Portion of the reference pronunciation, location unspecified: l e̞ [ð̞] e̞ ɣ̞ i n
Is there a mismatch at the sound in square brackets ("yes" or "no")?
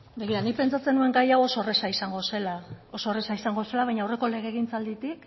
yes